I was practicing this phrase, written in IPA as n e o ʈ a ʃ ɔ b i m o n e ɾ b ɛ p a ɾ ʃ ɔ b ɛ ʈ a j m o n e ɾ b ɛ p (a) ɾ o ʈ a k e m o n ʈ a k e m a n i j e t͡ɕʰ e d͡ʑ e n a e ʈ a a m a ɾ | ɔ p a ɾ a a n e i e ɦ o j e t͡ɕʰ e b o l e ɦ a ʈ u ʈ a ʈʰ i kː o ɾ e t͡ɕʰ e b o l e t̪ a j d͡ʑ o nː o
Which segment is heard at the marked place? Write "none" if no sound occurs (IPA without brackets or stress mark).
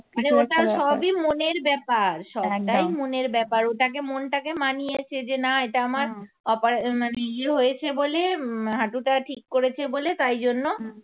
a